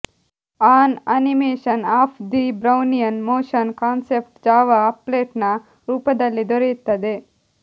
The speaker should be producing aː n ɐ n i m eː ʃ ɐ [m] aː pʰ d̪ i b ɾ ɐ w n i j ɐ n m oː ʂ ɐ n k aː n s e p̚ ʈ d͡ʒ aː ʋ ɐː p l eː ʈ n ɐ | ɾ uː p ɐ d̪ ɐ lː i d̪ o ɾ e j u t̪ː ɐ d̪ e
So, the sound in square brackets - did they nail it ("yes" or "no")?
no